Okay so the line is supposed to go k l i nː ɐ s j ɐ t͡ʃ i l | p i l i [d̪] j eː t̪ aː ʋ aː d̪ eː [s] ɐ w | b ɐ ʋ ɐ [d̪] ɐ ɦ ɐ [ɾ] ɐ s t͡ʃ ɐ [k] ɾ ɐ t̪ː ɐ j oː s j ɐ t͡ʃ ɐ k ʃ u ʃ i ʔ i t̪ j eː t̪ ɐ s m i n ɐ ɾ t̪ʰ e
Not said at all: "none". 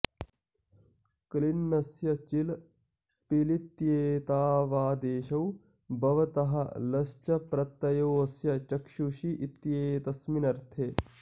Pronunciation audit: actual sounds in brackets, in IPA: t̪, ʃ, t̪, l, p

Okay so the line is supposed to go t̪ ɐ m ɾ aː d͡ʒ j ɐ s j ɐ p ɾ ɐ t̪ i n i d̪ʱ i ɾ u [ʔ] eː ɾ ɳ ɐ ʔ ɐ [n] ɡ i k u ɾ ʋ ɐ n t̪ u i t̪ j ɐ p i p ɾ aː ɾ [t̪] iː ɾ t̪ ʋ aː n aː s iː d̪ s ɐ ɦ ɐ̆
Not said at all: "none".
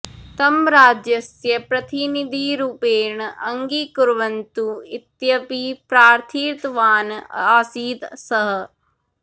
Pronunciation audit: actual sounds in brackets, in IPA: p, ŋ, t̪ʰ

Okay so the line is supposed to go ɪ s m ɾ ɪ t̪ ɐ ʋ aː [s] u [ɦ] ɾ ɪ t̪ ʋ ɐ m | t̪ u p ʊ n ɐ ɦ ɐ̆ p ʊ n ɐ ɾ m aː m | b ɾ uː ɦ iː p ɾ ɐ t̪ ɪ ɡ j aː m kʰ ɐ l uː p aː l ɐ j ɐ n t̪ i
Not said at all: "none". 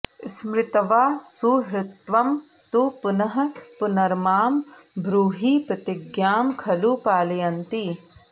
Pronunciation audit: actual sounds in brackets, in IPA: s, ɦ

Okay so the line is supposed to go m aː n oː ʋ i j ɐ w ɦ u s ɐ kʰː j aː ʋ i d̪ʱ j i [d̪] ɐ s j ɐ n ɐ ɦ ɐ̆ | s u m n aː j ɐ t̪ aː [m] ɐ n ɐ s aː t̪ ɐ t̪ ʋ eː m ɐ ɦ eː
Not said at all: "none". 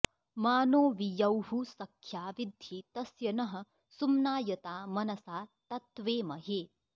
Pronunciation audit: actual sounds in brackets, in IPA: t̪, m

